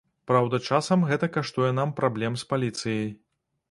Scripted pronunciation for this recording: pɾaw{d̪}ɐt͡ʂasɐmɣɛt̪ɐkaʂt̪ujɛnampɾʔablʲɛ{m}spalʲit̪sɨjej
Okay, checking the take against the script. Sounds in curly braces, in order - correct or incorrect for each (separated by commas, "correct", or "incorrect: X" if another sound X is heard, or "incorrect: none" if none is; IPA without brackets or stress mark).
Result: correct, correct